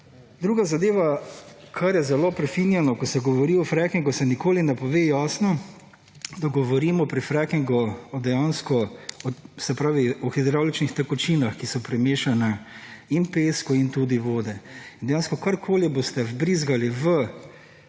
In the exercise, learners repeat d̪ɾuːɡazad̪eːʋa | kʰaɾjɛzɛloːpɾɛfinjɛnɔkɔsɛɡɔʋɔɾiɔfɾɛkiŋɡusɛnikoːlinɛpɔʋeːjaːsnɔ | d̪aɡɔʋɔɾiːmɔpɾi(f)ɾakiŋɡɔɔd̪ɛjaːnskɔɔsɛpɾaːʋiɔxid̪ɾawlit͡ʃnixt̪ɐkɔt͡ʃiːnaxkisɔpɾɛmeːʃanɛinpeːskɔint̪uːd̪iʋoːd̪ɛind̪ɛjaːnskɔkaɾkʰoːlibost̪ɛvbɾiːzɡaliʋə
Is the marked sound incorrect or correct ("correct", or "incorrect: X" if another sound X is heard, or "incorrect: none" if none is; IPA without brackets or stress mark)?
correct